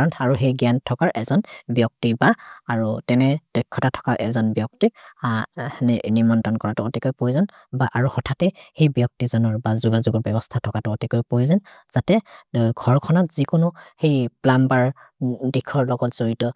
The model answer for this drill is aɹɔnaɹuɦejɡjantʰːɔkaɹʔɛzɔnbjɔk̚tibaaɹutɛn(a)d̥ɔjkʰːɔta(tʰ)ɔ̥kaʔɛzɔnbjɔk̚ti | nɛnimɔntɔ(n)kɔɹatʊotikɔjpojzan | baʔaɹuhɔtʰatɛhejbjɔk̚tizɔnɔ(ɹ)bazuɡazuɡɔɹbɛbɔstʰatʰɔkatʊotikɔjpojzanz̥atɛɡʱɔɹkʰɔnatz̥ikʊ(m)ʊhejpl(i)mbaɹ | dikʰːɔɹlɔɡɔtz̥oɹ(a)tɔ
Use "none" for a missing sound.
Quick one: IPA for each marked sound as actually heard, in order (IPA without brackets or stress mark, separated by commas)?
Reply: ɛ, tʰ, n, ɹ, n, a, i